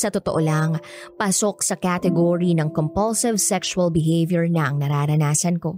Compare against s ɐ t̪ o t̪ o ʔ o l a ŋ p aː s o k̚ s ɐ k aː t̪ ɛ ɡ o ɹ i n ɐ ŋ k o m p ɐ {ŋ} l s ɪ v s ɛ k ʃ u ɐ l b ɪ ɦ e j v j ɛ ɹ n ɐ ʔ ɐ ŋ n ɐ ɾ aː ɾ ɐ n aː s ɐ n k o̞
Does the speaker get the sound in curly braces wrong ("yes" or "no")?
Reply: yes